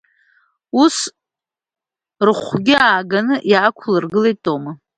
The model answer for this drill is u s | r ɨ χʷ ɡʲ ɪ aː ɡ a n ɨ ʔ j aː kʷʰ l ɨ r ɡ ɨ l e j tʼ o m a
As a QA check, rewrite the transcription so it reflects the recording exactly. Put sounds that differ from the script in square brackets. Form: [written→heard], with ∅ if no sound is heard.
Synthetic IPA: u s | r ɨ χʷ ɡʲ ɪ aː ɡ a n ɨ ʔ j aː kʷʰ l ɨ r ɡ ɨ l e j tʼ o m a